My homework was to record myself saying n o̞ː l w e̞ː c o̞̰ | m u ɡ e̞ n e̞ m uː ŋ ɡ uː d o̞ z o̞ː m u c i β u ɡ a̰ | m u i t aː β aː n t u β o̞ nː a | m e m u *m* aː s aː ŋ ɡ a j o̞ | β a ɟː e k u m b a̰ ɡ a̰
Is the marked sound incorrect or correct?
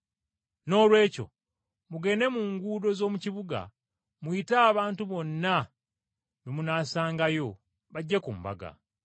incorrect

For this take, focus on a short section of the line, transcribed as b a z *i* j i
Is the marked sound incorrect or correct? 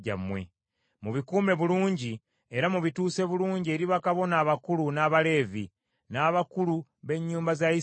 incorrect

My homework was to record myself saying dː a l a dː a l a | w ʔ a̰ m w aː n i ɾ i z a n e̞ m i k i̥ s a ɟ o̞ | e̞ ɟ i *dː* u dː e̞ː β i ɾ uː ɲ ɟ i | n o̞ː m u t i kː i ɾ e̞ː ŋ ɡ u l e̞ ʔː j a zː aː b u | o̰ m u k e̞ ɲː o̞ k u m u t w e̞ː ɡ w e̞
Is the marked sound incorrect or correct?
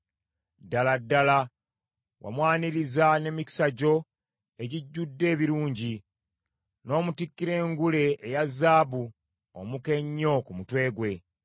incorrect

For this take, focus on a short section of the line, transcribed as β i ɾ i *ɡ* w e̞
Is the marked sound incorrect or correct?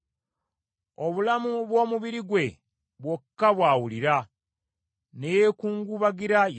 correct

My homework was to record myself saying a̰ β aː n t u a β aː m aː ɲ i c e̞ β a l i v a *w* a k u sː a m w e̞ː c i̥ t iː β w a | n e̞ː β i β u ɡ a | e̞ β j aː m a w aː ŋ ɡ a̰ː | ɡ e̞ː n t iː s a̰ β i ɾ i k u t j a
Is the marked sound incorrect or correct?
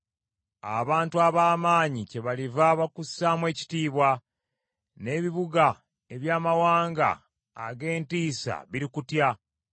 incorrect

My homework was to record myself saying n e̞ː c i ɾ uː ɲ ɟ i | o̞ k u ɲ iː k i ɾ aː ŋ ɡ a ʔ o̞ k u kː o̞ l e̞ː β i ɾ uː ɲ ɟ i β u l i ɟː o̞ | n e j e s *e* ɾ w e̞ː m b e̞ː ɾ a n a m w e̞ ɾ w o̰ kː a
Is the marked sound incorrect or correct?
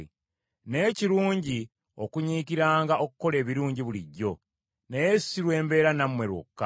incorrect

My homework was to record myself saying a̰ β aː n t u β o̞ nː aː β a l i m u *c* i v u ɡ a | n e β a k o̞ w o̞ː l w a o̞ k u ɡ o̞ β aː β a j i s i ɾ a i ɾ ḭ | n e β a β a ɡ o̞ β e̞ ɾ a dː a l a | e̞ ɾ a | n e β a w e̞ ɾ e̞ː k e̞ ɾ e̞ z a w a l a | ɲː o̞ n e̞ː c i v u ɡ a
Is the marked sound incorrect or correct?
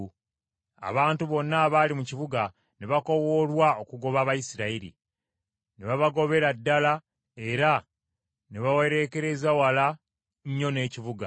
correct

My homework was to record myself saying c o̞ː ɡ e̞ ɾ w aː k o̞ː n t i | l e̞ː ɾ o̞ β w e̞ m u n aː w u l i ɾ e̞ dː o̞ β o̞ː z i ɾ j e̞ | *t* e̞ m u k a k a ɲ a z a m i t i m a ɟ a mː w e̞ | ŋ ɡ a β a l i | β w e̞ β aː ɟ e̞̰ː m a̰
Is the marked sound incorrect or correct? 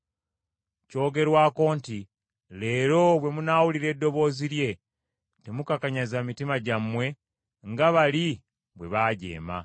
correct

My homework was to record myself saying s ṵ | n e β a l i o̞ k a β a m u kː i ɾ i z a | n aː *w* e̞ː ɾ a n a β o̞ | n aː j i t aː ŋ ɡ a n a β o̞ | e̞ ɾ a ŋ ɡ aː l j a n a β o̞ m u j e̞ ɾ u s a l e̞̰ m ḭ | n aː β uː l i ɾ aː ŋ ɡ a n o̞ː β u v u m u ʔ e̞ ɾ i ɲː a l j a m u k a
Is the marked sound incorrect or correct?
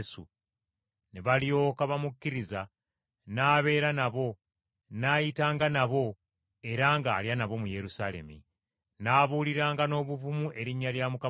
incorrect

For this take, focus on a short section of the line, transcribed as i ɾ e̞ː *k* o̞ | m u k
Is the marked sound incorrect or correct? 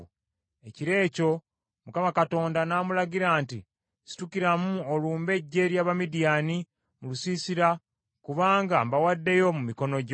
incorrect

